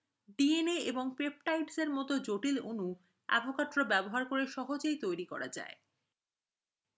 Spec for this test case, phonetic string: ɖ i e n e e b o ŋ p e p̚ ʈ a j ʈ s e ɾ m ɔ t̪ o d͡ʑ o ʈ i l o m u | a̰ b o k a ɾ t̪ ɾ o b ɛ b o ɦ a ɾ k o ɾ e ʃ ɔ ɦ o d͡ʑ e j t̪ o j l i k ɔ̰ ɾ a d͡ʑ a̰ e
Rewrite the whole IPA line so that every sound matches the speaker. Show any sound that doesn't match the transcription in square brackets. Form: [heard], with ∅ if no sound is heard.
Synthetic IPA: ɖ i e n e e b o ŋ p e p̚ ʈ a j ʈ s e ɾ m ɔ t̪ o d͡ʑ o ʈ i l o [n] u | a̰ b o k a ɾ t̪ ɾ o b ɛ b o ɦ a ɾ k o ɾ e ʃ ɔ ɦ o d͡ʑ e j t̪ o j [ɾ] i k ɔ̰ ɾ a d͡ʑ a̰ e